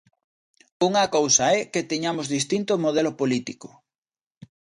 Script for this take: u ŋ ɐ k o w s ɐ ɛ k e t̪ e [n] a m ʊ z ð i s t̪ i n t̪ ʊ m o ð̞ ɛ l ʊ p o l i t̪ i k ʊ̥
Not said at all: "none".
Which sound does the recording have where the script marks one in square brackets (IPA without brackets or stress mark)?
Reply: ɲ